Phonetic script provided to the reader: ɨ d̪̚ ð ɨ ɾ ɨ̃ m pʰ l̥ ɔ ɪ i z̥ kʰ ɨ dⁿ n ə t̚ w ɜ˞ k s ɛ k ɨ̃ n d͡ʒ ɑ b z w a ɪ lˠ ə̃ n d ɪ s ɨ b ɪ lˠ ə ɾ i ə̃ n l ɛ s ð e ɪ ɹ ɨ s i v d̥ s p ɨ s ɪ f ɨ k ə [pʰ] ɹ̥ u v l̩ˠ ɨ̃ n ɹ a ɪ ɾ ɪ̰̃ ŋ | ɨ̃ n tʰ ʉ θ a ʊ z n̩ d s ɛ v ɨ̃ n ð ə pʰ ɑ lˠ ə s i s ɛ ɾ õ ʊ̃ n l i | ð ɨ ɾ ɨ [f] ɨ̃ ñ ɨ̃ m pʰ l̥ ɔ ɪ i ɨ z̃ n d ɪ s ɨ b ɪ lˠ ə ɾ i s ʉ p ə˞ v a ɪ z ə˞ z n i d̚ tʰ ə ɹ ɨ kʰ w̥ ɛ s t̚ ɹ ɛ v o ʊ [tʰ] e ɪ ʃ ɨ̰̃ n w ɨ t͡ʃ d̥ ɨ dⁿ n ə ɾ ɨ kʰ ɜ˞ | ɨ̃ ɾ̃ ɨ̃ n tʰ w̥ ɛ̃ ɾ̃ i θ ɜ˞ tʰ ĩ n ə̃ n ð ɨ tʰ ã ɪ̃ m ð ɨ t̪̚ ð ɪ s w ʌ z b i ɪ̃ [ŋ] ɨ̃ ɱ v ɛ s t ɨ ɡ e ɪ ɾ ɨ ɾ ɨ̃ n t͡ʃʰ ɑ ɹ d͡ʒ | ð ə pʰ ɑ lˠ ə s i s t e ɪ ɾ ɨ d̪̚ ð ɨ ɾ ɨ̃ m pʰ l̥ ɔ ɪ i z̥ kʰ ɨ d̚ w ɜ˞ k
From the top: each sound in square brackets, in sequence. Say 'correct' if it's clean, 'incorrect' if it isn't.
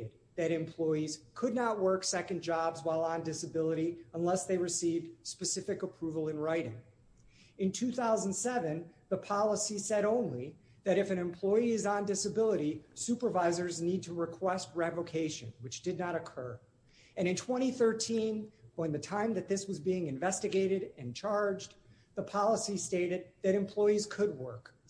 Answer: correct, correct, incorrect: kʰ, correct

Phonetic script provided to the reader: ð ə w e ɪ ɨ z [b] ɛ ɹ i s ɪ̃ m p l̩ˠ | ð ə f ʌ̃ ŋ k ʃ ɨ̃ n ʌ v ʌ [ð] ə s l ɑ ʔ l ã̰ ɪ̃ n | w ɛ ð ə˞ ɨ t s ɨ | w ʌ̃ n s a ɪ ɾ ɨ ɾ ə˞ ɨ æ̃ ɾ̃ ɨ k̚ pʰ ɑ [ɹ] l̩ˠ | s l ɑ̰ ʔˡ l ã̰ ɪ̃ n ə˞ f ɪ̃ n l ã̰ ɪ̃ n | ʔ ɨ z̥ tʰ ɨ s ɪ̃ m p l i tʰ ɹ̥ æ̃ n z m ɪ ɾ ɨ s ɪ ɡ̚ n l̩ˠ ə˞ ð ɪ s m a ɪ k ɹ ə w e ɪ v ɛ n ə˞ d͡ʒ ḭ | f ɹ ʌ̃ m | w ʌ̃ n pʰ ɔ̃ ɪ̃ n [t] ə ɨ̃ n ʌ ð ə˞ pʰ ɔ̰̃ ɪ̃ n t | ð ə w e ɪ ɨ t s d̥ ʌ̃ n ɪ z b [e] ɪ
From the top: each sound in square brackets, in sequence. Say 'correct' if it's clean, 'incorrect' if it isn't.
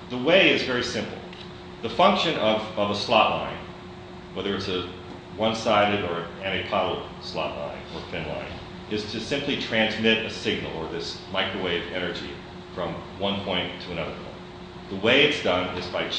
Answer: incorrect: v, incorrect: v, incorrect: ɾ, incorrect: tʰ, incorrect: a

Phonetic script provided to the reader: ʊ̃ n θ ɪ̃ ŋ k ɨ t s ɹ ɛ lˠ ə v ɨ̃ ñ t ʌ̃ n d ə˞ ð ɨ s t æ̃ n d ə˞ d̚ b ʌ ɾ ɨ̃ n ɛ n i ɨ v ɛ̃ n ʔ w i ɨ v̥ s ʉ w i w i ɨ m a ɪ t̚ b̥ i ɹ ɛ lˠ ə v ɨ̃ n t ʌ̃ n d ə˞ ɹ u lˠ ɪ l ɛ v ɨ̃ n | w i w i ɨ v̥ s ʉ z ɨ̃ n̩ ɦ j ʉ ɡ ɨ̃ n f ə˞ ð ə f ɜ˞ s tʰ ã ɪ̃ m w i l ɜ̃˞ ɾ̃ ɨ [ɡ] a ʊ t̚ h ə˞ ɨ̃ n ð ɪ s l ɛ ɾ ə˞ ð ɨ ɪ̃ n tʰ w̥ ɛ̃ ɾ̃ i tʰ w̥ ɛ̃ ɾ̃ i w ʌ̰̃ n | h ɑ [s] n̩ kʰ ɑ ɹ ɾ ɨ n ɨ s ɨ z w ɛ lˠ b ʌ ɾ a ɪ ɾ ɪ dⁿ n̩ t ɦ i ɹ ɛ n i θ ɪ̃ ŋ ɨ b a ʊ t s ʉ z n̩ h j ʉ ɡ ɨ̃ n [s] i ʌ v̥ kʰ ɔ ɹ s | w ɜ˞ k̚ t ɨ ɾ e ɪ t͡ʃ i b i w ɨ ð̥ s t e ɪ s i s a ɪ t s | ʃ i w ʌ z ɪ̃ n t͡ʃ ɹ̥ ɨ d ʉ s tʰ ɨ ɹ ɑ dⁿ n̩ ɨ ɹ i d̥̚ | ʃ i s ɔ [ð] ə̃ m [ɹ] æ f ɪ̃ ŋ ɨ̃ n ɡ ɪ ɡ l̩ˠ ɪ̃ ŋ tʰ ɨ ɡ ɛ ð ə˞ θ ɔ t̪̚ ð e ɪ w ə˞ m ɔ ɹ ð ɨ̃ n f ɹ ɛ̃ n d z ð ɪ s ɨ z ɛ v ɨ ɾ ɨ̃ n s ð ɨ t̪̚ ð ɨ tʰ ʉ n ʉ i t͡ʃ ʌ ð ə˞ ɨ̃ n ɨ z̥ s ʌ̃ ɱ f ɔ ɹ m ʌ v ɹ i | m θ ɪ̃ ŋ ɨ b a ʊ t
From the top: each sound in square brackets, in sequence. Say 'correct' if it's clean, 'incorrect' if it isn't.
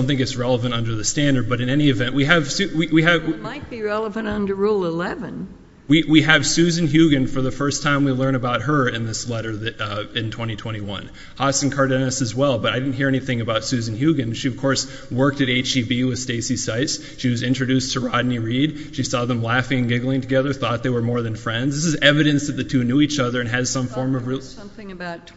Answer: incorrect: b, correct, incorrect: ʃ, correct, incorrect: l

